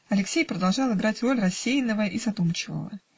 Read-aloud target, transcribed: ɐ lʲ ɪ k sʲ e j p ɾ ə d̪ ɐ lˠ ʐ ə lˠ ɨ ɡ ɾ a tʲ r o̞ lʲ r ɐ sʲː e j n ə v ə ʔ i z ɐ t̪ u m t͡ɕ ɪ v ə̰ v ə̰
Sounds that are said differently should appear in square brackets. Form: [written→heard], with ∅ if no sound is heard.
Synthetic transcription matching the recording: ɐ lʲ ɪ k sʲ e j p ɾ ə d̪ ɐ lˠ ʐ [ə→ɑ] lˠ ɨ ɡ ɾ a tʲ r o̞ lʲ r ɐ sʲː e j n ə v ə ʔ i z ɐ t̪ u m t͡ɕ ɪ v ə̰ v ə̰